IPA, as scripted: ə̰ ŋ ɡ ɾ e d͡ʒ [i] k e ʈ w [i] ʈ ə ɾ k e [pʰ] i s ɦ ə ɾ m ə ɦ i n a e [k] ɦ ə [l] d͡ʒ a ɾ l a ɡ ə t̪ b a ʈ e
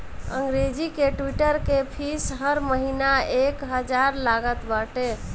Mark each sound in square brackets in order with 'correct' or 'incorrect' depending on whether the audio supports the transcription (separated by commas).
correct, correct, correct, correct, incorrect